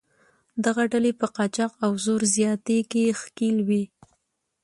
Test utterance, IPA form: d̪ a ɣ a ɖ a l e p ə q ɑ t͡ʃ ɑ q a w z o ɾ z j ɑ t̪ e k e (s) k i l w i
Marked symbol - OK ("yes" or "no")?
no